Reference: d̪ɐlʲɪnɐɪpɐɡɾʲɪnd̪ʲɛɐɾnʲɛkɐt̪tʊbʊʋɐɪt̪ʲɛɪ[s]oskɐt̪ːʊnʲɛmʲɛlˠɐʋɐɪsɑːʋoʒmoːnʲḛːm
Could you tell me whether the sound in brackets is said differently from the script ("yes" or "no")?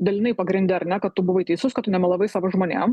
no